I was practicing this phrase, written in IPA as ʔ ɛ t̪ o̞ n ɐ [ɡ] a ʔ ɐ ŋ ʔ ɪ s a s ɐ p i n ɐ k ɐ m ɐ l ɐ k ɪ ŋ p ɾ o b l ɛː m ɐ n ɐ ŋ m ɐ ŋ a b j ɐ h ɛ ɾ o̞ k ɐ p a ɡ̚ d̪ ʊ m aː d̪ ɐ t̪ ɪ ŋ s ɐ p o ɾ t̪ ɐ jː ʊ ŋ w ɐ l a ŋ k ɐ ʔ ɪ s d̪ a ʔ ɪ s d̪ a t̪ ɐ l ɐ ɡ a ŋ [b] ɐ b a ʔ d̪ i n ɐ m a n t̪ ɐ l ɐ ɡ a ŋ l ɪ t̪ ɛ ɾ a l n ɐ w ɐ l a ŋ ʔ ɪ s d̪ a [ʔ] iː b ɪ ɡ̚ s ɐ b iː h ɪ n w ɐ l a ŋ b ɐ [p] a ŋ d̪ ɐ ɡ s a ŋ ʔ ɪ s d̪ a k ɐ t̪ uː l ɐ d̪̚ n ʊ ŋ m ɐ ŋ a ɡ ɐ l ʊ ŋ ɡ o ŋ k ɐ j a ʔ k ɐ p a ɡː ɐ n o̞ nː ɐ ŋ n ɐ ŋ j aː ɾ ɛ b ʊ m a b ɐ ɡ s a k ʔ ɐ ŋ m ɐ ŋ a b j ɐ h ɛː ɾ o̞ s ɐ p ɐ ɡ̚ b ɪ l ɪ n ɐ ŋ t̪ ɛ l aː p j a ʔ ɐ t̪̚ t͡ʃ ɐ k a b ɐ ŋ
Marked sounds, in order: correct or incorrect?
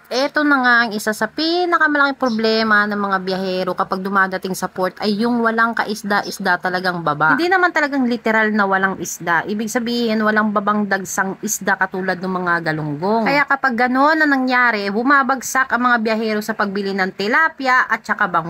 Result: incorrect, correct, correct, incorrect

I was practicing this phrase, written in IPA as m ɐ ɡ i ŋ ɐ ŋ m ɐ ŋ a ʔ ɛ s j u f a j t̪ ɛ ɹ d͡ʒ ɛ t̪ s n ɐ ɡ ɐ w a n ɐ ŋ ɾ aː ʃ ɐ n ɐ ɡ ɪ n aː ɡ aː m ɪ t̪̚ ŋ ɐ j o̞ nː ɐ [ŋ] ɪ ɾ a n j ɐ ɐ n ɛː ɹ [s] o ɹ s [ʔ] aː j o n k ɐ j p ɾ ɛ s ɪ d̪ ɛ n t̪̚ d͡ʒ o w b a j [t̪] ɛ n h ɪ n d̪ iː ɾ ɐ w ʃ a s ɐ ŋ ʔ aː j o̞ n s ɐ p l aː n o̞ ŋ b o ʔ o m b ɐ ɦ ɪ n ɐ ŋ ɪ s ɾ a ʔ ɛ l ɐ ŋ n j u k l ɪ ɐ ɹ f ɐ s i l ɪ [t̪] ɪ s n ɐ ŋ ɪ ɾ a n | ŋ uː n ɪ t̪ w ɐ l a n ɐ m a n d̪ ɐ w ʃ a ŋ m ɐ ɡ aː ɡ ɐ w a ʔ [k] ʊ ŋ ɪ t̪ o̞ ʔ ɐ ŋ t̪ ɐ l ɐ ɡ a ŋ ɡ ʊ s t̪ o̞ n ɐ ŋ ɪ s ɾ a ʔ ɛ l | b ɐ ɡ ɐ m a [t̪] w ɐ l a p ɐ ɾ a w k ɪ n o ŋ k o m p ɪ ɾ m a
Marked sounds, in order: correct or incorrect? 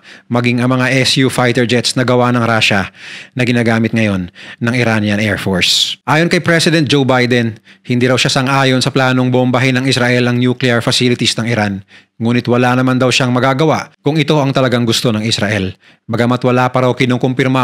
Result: correct, incorrect, correct, incorrect, correct, correct, correct

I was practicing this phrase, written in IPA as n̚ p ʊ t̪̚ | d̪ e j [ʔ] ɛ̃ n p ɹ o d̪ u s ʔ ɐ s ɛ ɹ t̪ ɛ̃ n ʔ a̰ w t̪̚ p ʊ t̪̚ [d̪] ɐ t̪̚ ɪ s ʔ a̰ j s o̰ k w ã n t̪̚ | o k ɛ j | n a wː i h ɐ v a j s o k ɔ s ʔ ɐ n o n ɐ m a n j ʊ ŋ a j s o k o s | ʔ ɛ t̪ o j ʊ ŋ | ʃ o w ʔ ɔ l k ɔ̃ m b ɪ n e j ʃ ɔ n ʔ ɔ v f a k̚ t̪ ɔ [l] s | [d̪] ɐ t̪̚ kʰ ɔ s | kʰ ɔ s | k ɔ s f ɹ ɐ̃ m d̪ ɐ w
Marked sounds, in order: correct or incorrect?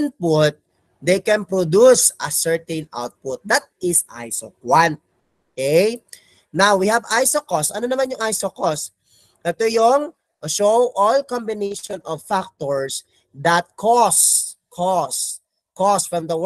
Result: incorrect, correct, incorrect, correct

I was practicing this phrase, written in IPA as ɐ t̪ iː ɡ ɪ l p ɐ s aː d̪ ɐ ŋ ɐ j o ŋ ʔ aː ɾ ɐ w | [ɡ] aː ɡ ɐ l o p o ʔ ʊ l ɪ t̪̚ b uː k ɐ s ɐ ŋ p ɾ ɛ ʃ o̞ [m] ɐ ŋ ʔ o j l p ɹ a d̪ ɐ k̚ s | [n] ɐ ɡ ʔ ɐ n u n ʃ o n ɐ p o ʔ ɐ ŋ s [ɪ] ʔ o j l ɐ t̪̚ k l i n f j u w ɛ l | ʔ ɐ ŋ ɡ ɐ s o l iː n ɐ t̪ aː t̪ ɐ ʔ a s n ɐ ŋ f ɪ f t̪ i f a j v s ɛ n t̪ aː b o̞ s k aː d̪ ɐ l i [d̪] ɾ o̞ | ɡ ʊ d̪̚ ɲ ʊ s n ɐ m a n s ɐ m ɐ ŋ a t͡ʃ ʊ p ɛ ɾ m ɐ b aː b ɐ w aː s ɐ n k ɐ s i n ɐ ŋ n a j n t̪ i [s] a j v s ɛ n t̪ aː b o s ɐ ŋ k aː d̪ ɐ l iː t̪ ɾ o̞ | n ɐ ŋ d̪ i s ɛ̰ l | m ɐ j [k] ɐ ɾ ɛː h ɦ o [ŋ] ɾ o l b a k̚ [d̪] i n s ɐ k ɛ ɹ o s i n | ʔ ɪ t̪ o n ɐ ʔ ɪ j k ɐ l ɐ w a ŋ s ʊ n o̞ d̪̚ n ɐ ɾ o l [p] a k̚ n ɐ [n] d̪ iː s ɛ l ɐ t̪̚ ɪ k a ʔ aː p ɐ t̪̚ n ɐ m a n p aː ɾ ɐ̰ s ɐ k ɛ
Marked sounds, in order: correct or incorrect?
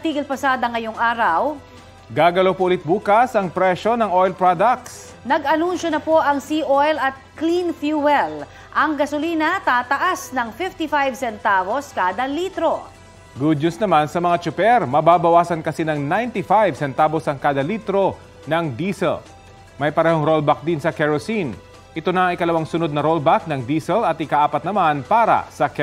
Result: correct, incorrect, correct, incorrect, incorrect, incorrect, incorrect, correct, correct, incorrect, incorrect

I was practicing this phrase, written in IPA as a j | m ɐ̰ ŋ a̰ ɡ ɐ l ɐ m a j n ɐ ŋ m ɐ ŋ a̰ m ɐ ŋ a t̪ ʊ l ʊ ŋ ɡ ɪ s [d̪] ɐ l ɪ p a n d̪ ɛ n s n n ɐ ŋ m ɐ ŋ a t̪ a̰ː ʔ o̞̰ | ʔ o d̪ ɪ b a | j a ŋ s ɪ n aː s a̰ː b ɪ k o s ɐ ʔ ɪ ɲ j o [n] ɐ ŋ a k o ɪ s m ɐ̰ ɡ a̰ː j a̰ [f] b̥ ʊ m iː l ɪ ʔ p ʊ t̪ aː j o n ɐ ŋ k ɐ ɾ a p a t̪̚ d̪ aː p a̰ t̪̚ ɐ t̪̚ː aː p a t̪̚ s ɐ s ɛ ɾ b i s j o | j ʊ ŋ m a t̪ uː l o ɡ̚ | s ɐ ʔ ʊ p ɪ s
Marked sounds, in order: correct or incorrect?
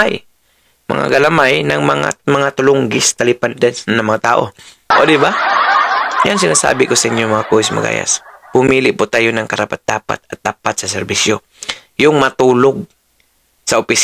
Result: incorrect, incorrect, incorrect

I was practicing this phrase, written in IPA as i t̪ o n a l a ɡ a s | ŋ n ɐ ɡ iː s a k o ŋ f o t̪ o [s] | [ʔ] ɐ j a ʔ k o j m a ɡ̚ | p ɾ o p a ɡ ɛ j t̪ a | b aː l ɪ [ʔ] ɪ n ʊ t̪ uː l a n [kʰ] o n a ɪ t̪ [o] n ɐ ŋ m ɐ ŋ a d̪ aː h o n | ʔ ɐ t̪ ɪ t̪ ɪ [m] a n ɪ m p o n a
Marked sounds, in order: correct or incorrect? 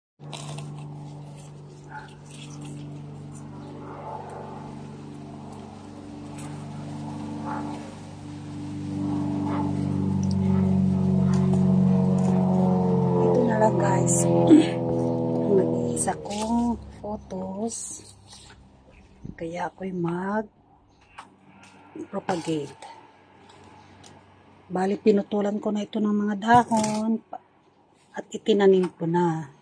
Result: correct, incorrect, incorrect, incorrect, correct, incorrect

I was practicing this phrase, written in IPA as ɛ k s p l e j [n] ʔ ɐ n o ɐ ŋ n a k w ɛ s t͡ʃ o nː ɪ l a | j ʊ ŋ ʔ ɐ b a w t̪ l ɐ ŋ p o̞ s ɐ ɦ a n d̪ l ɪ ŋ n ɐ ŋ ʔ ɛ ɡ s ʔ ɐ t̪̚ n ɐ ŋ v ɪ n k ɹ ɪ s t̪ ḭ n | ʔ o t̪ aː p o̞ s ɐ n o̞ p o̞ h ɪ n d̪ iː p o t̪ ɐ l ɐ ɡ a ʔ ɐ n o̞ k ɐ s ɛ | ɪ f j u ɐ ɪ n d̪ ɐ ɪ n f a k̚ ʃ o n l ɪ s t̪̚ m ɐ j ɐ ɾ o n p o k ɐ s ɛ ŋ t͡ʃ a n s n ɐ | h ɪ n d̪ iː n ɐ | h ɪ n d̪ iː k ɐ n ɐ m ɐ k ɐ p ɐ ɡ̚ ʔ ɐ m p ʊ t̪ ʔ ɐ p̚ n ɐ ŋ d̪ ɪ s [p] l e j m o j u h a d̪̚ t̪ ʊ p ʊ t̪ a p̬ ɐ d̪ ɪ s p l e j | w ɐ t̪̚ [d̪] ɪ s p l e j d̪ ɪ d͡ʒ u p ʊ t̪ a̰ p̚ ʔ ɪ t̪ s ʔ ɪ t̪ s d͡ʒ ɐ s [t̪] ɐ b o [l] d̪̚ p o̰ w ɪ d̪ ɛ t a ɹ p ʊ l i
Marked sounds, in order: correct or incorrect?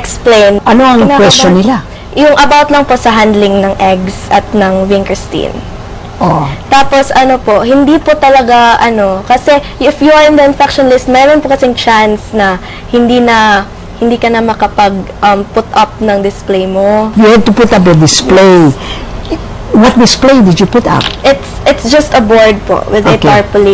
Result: correct, correct, correct, correct, incorrect

